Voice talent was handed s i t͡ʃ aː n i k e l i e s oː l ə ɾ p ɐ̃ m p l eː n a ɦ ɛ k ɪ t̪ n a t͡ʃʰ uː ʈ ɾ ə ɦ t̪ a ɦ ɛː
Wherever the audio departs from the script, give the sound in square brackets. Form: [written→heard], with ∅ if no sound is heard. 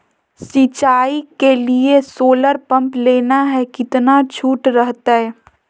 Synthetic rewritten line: s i t͡ʃ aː [n→∅] i k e l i e s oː l ə ɾ p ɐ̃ m p l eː n a ɦ ɛ k ɪ t̪ n a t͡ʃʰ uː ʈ ɾ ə ɦ t̪ a ɦ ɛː